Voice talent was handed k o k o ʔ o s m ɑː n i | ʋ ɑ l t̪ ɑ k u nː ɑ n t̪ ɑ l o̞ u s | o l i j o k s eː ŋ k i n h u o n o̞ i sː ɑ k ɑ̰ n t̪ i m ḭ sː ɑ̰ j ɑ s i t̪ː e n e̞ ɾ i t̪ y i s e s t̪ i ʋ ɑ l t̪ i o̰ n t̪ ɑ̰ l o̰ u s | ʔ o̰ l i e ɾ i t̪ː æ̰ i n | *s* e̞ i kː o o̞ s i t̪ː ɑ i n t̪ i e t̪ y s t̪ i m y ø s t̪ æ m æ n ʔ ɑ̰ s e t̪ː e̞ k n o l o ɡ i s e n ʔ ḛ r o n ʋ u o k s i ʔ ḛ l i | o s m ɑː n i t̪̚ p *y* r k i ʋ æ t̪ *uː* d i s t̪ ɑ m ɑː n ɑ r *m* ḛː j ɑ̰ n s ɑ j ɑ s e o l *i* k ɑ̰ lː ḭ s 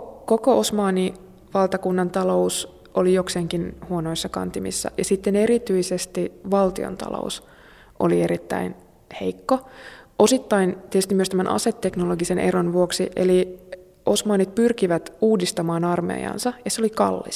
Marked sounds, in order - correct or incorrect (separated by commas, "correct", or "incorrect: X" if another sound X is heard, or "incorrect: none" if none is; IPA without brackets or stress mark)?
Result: incorrect: h, correct, correct, correct, correct